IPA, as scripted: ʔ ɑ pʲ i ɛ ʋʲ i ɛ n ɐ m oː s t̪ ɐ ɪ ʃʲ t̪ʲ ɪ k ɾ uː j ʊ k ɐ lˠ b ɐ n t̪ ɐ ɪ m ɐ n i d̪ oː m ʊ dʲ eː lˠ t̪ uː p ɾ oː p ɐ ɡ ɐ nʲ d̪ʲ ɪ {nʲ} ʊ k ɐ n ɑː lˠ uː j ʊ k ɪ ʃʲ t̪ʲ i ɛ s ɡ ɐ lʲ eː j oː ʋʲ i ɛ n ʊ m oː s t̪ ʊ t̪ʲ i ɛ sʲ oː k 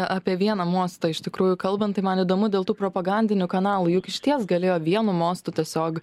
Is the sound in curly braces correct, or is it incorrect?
correct